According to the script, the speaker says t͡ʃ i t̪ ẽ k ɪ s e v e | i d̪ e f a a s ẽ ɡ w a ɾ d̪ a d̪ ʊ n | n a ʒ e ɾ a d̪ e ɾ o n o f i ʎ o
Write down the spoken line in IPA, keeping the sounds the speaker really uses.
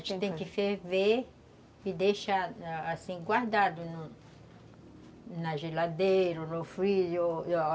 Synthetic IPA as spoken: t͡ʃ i t̪ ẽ k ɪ f e v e | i d̪ e ʃ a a s ĩ ɡ w a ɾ d̪ a d̪ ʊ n | n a ʒ e l a d̪ e ɾ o n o f i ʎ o